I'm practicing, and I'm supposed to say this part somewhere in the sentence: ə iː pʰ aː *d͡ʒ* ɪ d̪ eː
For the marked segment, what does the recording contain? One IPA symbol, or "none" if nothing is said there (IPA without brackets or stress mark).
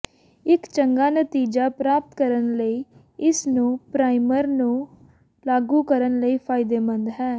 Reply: none